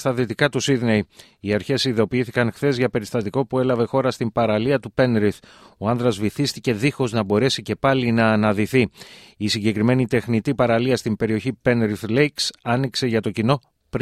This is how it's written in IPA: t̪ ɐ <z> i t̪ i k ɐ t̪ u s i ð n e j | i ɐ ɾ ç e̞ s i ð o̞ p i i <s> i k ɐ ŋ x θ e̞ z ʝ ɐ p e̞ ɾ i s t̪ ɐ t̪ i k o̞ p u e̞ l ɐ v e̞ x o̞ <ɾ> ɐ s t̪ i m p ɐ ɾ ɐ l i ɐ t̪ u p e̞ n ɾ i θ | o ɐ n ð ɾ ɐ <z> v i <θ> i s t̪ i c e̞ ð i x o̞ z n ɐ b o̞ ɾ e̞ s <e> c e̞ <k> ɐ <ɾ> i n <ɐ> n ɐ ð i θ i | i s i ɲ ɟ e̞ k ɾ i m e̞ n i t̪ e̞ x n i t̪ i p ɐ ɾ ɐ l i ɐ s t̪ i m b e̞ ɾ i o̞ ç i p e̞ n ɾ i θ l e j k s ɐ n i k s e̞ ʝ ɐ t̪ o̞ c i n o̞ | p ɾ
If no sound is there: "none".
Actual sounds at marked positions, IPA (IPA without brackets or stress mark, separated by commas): ð, θ, ɾ, z, θ, i, p, l, ɐː